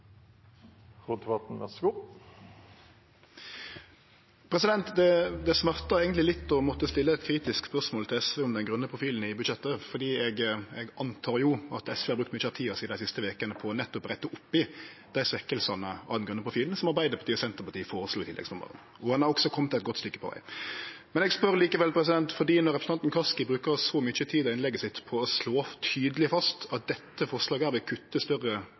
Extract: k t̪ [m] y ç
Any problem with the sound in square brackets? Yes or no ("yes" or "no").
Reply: no